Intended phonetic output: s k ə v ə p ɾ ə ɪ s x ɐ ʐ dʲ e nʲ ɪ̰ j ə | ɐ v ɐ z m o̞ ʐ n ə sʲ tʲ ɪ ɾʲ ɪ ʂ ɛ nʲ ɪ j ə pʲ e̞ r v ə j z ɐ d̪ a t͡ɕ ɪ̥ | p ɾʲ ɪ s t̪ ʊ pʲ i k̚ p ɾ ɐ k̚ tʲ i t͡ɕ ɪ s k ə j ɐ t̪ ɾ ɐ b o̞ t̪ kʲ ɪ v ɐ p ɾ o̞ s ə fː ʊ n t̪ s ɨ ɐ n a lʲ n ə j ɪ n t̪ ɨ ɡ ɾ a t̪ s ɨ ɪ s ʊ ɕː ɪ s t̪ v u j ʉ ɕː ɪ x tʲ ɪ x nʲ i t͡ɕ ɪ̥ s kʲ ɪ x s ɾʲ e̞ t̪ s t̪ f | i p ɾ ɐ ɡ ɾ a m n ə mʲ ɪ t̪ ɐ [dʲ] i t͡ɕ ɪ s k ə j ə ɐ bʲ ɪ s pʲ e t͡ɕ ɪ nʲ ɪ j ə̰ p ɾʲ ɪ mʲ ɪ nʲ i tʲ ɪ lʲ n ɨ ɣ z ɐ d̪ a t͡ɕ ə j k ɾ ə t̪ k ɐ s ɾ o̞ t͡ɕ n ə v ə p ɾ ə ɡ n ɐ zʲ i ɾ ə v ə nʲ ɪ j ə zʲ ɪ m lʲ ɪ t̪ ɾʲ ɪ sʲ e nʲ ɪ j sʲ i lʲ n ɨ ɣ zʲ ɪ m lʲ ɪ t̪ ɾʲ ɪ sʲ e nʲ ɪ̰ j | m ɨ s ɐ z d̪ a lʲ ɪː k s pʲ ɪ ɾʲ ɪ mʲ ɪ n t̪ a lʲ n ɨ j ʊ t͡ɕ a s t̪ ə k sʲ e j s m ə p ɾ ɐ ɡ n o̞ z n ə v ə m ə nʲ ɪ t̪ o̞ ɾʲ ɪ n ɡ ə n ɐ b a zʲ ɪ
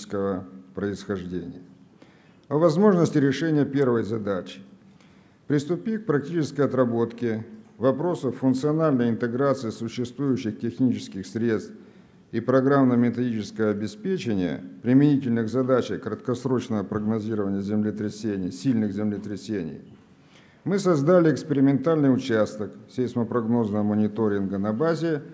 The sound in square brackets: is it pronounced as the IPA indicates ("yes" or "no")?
yes